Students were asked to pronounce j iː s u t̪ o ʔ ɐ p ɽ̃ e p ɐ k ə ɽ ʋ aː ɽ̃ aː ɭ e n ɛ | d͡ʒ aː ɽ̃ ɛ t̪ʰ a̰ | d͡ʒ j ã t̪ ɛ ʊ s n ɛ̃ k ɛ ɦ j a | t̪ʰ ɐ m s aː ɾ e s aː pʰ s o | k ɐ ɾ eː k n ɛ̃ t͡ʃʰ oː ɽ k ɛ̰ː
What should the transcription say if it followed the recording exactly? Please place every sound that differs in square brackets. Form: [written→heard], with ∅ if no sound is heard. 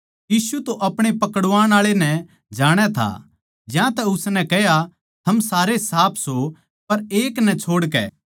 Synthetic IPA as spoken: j iː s u t̪ o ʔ ɐ p ɽ̃ e p ɐ k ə ɽ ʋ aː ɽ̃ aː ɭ e n ɛ | d͡ʒ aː ɽ̃ ɛ t̪ʰ a̰ | d͡ʒ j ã t̪ ɛ ʊ s n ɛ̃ k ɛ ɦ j a | t̪ʰ ɐ m s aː ɾ e s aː pʰ s o | [k→p] ɐ ɾ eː k n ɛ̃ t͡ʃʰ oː ɽ k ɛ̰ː